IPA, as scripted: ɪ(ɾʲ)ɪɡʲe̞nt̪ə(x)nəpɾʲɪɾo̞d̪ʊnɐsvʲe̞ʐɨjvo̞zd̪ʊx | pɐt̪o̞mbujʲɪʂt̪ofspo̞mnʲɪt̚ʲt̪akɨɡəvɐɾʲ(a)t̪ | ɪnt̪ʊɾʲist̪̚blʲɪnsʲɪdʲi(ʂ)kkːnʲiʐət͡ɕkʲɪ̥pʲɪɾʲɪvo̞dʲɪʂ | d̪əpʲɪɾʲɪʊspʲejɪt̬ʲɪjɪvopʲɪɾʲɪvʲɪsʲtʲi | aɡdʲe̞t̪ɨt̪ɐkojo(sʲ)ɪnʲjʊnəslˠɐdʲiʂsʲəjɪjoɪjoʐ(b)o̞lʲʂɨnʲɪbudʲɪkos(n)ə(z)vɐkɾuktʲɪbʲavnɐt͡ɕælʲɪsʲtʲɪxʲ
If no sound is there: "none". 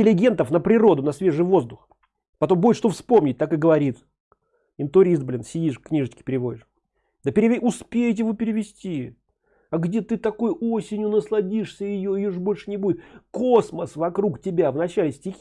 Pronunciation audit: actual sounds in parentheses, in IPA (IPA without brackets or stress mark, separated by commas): lʲ, f, i, ʂ, sʲ, b, m, s